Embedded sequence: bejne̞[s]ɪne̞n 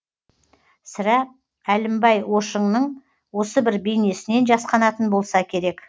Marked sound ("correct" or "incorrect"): correct